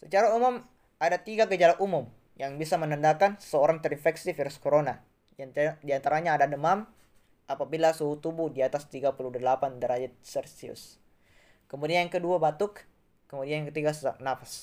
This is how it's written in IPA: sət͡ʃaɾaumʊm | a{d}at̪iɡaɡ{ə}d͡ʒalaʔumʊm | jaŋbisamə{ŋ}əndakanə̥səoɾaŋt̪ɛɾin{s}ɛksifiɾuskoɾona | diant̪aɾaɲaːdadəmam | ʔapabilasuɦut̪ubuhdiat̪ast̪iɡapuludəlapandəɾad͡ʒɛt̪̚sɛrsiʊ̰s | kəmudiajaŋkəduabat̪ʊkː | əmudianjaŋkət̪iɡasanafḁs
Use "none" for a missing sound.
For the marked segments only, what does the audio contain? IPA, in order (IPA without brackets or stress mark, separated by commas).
d, ə, n, f